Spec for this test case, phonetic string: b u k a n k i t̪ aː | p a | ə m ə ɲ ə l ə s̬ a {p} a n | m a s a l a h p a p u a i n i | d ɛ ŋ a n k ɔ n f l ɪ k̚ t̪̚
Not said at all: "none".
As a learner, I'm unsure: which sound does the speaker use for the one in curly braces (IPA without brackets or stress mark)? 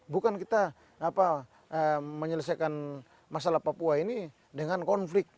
k